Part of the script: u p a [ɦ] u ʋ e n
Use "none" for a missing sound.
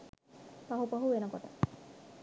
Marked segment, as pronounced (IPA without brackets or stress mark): ɦ